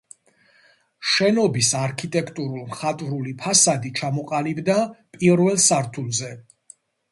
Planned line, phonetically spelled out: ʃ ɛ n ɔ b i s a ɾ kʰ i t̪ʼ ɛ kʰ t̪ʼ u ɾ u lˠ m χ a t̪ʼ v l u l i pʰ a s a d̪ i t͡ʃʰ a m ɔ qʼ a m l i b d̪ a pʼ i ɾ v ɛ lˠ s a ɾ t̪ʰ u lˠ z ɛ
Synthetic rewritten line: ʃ ɛ n ɔ b i s a ɾ kʰ i t̪ʼ ɛ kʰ t̪ʼ u ɾ u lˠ m χ a t̪ʼ v ɾ u l i pʰ a s a d̪ i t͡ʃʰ a m ɔ qʼ a l i b d̪ a pʼ i ɾ v ɛ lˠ s a ɾ t̪ʰ u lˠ z ɛ